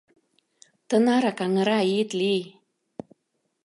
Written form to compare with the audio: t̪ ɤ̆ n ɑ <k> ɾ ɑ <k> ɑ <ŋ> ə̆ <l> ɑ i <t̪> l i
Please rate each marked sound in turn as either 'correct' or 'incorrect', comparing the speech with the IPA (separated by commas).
incorrect, correct, correct, incorrect, correct